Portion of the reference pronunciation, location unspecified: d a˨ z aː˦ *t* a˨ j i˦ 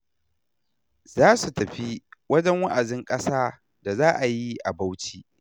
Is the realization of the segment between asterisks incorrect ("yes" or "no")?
yes